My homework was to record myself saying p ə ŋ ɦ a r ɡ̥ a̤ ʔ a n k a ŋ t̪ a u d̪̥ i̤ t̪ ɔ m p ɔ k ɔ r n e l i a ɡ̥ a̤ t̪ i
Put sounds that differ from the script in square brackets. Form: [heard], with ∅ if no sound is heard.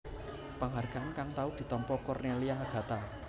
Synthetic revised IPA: p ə ŋ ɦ a r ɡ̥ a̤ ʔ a n k a ŋ t̪ a u d̪̥ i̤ t̪ ɔ m p ɔ k ɔ r n e l i a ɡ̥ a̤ t̪ [a]